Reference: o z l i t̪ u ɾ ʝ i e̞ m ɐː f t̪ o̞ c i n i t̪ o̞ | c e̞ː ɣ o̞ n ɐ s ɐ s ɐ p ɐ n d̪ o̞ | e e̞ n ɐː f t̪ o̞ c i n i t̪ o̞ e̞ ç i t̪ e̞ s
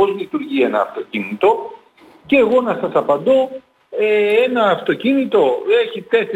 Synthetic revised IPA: o z l i t̪ u ɾ ʝ i e̞ n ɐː f t̪ o̞ c i n i t̪ o̞ | c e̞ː ɣ o̞ n ɐ s ɐ s ɐ p ɐ n d̪ o̞ | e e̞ n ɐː f t̪ o̞ c i n i t̪ o̞ e̞ ç i t̪ e̞ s